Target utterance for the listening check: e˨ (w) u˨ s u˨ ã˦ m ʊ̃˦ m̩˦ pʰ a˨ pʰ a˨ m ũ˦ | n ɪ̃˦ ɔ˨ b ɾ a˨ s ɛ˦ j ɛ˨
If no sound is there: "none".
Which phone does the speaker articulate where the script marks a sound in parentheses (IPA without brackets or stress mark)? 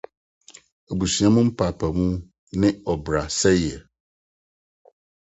b